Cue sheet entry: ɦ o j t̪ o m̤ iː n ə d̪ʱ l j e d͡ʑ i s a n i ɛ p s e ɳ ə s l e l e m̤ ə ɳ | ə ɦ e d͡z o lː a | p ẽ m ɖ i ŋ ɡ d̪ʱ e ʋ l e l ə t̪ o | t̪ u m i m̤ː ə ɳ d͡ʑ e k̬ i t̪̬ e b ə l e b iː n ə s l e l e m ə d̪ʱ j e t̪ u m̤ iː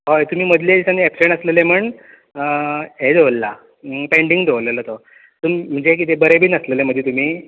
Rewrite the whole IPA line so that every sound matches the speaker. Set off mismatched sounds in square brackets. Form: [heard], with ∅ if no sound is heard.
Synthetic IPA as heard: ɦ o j t̪ [u] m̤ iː [m] ə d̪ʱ l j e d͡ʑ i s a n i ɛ p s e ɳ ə s l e l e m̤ ə ɳ | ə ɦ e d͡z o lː a | p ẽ [ɳ] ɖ i ŋ ɡ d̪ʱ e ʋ l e l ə t̪ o | t̪ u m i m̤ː ə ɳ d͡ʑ e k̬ i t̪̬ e b ə [ɾ] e b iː n ə s l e l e m ə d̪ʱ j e t̪ u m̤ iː

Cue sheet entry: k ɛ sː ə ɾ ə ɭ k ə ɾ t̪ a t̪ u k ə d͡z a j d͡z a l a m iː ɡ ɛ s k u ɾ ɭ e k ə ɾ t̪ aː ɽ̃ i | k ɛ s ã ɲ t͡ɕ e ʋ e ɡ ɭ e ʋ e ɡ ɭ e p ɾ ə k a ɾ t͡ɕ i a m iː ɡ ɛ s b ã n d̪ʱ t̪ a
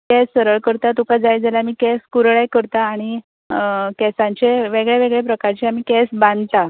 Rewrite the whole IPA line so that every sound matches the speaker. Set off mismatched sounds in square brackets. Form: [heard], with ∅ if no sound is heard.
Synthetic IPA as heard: k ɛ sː ə ɾ ə ɭ k ə ɾ t̪ a t̪ u k [a] d͡z a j d͡z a l a m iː [k] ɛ s k u ɾ ɭ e k ə ɾ t̪ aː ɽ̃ i | k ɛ s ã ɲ t͡ɕ e ʋ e ɡ ɭ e ʋ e ɡ ɭ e p ɾ ə k a ɾ t͡ɕ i a m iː [k] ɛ s b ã n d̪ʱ t̪ a

